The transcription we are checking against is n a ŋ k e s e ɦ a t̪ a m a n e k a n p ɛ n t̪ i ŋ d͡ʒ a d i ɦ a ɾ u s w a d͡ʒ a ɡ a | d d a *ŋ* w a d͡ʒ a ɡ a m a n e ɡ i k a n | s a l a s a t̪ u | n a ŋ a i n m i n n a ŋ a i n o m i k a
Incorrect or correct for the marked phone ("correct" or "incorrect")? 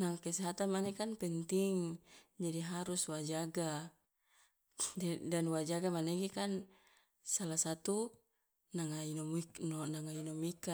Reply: incorrect